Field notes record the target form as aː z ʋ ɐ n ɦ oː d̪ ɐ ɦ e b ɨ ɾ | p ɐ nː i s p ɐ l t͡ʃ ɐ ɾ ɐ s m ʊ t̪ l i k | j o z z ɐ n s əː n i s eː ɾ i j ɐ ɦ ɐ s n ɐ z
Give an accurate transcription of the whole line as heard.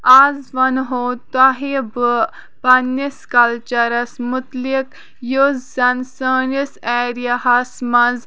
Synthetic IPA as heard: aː z ʋ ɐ n ɦ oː t̪ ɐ ɦ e b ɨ | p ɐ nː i s k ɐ l t͡ʃ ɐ ɾ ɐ s m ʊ t̪ l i k | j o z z ɐ n s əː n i s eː ɾ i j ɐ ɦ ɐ s m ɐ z